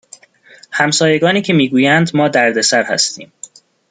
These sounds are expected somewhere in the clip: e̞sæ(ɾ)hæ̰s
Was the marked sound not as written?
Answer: no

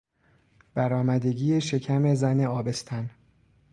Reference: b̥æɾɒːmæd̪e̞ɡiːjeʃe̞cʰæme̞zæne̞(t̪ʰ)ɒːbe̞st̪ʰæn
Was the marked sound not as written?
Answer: yes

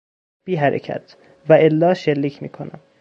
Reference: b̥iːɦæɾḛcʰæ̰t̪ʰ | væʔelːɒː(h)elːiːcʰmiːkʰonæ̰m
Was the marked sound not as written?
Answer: yes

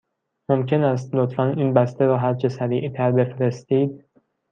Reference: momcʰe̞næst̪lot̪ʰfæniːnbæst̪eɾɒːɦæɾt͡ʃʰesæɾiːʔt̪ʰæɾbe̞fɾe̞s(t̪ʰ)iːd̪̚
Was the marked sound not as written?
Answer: yes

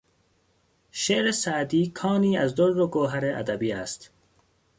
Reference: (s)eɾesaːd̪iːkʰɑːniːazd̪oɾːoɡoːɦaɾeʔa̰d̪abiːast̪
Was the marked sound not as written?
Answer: yes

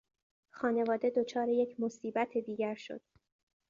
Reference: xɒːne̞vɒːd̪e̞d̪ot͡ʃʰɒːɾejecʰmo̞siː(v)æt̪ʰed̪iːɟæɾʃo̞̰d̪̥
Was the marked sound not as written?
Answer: yes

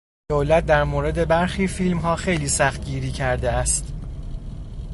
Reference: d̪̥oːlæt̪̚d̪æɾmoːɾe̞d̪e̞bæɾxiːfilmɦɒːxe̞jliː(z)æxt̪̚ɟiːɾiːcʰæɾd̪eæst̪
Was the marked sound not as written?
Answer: yes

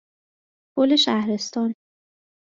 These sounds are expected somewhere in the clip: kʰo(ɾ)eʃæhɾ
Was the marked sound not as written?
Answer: yes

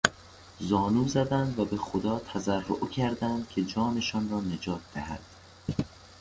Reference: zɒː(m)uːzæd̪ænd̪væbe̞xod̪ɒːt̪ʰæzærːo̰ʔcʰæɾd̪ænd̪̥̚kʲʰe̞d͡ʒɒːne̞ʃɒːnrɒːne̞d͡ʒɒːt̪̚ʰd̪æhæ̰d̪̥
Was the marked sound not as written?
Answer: yes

